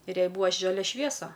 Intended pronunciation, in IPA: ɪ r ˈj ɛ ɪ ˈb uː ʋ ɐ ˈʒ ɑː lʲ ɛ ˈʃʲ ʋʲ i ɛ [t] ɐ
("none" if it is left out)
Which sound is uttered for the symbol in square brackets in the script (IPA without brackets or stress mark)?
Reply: s